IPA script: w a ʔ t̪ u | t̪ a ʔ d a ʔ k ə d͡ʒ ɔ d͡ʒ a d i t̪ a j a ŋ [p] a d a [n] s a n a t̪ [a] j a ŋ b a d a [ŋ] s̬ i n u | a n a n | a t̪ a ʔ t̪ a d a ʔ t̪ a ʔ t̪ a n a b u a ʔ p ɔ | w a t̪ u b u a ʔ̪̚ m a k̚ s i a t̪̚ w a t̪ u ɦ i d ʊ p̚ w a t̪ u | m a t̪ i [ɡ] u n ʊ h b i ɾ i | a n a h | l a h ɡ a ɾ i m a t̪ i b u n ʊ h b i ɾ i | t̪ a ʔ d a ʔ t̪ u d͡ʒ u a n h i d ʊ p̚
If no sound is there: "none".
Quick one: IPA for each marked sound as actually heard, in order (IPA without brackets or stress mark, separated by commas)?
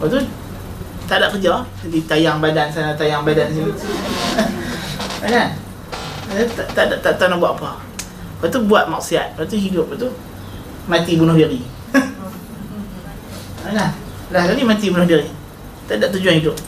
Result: b, n, a, n, b